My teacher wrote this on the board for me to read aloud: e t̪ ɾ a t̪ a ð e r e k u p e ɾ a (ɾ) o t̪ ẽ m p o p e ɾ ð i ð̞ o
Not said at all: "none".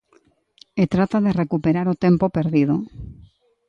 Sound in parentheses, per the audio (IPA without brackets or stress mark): ɾ